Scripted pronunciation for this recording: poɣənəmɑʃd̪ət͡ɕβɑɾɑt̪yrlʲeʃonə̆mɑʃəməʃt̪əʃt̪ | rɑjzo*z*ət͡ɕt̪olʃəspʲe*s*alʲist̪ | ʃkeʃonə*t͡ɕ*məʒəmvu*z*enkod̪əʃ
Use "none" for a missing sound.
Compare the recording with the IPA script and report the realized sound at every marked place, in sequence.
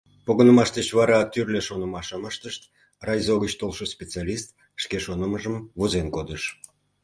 ɣ, t͡s, none, z

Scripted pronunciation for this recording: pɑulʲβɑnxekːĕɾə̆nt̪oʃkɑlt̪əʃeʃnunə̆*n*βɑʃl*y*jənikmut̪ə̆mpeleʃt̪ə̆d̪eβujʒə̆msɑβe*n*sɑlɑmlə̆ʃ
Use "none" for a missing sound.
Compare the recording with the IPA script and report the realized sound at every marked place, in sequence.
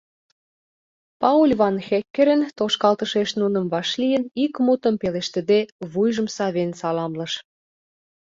m, i, n

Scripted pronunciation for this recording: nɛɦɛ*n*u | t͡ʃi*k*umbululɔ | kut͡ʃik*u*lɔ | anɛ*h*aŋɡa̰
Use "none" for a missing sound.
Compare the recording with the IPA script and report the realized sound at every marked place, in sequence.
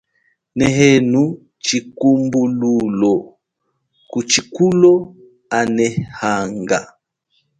n, k, u, h

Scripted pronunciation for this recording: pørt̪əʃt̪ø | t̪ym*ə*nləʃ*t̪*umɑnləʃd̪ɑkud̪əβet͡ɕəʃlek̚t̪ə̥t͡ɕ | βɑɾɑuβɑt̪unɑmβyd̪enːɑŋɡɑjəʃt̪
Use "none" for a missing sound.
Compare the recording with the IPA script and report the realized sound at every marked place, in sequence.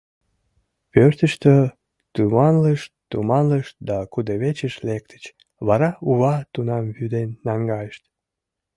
ɑ, t̪

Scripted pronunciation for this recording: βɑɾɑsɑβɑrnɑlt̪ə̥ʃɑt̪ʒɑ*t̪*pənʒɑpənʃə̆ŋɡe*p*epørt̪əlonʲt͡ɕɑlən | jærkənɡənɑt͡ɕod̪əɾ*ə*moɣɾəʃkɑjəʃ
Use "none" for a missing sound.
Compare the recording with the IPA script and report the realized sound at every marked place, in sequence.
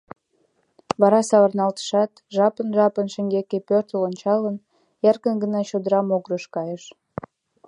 none, k, ɑ

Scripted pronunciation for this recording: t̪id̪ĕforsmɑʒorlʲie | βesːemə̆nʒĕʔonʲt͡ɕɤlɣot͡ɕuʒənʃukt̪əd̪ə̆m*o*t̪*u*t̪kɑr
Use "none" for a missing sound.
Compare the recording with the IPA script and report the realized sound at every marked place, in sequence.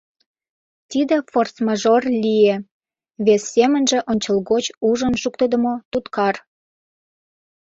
o, u

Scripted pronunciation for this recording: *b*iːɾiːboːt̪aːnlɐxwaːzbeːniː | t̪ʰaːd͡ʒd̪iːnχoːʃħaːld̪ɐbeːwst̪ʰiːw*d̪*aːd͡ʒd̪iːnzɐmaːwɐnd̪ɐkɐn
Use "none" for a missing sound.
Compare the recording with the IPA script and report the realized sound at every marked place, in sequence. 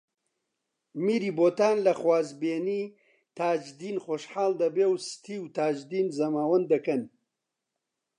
m, t̪

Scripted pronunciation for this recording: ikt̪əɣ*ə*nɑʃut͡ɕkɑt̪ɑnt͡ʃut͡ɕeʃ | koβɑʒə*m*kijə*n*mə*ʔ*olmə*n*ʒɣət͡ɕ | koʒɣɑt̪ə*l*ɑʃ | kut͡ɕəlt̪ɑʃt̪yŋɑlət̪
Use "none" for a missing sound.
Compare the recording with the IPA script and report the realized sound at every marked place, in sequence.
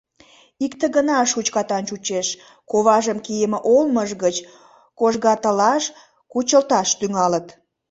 ə, m, none, ʔ, none, l

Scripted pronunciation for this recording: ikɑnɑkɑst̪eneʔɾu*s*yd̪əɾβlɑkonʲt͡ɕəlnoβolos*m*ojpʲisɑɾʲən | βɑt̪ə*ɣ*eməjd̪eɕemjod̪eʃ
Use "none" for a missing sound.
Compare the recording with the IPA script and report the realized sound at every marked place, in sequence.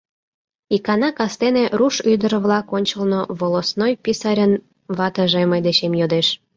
ʃ, n, ʒ

